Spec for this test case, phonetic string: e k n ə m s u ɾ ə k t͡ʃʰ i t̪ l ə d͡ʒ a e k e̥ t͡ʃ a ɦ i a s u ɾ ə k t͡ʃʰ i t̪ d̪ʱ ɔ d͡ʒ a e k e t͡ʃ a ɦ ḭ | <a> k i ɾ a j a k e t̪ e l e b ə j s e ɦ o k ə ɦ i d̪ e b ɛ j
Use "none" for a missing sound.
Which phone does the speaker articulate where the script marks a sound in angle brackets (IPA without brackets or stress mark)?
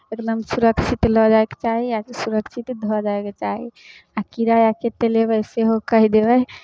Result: a